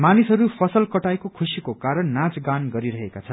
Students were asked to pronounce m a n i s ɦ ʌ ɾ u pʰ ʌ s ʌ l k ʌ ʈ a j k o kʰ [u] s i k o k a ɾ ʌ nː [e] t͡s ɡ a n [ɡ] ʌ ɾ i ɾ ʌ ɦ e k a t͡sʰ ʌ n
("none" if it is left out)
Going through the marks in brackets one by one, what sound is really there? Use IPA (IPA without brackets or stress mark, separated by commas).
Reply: u, a, ɡ